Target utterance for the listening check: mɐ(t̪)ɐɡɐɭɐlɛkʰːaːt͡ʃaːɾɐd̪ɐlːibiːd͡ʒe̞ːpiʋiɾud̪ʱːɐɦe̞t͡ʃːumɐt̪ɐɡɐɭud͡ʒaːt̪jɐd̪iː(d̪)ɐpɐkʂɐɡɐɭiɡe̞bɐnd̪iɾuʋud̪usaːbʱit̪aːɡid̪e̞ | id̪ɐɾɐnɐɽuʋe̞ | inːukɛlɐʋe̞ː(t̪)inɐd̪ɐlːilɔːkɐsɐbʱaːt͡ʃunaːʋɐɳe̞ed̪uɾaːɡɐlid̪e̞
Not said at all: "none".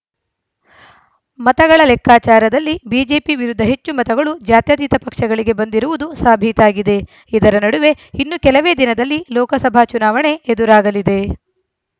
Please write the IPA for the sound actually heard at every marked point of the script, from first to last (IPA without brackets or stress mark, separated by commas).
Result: t̪, t̪, d̪